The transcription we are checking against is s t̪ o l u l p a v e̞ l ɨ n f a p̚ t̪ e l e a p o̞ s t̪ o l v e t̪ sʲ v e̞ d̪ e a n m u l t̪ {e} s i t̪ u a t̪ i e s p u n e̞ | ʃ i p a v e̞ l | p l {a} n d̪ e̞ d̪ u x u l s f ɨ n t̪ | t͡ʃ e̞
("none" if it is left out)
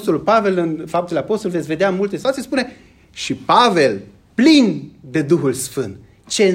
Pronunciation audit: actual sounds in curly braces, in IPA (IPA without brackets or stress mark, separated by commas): e, i